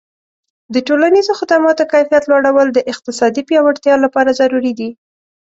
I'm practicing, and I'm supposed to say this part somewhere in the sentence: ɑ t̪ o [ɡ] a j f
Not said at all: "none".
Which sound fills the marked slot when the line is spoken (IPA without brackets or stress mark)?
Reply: k